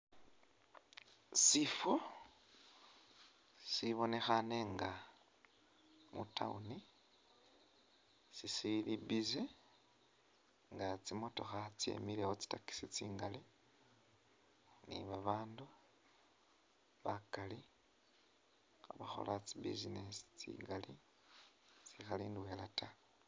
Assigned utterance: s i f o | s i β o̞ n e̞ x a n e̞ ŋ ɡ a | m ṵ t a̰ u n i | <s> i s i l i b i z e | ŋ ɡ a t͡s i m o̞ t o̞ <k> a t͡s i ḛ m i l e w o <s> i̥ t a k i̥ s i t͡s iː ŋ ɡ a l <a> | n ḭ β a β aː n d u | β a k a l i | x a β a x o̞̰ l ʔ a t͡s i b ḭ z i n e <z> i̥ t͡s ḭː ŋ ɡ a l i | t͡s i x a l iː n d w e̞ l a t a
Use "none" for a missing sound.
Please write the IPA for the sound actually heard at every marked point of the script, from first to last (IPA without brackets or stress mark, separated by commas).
s, x, t͡s, i, s